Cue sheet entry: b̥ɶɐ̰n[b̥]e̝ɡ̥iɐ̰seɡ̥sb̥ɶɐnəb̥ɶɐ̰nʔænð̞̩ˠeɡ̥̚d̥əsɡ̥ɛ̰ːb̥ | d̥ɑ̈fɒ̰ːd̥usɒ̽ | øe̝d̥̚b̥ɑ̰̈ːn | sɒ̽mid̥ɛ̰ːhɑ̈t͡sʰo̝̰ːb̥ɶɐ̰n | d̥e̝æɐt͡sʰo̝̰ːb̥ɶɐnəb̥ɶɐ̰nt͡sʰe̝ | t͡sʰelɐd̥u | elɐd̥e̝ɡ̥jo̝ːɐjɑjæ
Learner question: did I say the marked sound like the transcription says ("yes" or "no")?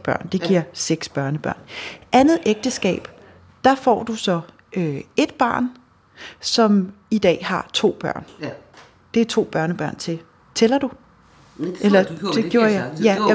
no